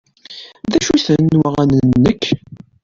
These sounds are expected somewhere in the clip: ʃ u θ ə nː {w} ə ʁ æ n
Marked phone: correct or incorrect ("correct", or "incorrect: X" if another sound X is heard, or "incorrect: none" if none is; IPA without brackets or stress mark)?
correct